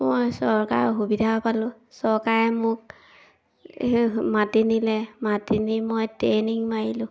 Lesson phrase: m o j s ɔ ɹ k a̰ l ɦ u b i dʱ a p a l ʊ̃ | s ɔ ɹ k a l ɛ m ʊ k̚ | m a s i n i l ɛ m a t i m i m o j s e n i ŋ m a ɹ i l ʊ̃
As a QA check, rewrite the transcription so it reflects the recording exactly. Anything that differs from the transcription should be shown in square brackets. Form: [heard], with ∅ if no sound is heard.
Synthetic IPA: m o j s ɔ ɹ k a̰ [ɹ] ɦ u b i dʱ a p a l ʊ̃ | s ɔ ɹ k a [ɹ] ɛ m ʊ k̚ | m a [t] i n i l ɛ m a t i [n] i m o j [t] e n i ŋ m a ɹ i l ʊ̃